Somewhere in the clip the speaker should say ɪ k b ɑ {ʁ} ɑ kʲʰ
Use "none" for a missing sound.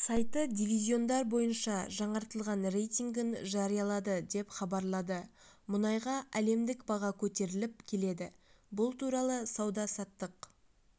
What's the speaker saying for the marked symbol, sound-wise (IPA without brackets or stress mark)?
ʁ